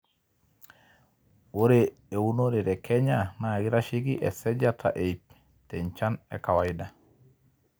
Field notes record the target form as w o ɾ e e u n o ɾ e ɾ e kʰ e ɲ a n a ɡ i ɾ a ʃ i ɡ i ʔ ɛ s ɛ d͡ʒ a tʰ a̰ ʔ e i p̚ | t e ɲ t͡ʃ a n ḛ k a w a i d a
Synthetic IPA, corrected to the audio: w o ɾ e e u n o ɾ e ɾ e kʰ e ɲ a n a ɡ i ɾ a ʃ i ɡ i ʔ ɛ s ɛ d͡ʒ a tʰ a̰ ʔ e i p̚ | t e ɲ t͡ʃ a n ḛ k a w a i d a